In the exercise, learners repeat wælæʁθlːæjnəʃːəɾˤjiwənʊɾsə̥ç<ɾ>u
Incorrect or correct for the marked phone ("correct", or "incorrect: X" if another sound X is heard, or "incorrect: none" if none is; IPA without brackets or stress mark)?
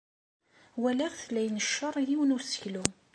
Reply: incorrect: l